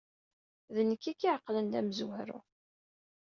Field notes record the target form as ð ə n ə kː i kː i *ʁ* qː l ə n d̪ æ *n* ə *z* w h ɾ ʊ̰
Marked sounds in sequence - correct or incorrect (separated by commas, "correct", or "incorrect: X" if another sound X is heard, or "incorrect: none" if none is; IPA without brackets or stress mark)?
incorrect: ʕ, incorrect: m, correct